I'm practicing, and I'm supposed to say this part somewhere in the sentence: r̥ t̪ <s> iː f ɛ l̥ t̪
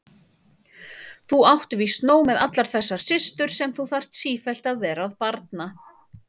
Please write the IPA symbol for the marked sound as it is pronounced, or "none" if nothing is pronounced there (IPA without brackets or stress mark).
s